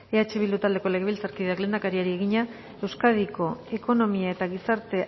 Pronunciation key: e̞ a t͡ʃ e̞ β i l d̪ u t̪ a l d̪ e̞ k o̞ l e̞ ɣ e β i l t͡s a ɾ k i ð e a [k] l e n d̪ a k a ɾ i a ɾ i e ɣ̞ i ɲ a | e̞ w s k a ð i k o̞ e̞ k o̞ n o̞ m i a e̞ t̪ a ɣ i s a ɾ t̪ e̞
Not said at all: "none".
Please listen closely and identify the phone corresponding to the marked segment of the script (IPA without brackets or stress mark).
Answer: k